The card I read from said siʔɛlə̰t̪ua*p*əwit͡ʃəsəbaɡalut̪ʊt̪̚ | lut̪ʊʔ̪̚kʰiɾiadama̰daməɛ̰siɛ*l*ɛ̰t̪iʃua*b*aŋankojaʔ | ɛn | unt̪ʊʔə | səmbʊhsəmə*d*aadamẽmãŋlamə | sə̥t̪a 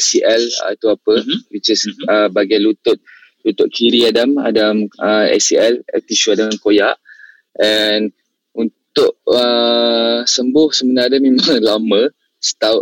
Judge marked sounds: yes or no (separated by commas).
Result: yes, yes, no, no